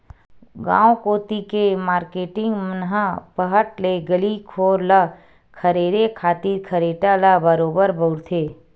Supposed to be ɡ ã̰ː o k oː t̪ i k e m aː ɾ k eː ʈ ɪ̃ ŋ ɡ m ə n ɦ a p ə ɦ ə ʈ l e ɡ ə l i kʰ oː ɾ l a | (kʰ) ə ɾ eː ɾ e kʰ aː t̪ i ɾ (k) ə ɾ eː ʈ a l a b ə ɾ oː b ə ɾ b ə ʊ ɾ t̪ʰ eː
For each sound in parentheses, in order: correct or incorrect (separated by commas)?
correct, incorrect